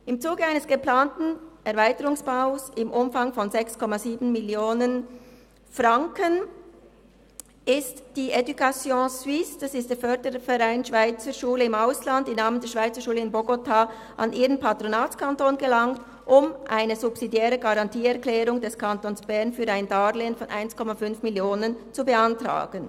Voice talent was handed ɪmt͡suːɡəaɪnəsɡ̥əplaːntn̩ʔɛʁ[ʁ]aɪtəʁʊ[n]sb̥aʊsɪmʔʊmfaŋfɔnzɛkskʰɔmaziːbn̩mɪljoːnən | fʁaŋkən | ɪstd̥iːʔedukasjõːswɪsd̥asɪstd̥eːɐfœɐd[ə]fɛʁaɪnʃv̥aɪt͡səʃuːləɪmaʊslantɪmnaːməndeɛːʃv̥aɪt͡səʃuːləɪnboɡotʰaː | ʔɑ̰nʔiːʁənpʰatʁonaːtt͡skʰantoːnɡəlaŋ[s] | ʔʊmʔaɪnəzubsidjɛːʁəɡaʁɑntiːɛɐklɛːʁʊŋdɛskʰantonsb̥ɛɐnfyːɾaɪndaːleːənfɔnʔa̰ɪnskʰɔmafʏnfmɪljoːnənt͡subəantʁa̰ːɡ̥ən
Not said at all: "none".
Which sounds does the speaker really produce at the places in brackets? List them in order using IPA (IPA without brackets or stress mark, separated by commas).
v, ŋ, ə, t